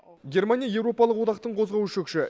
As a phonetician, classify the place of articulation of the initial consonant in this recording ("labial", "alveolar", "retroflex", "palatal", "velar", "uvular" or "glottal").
velar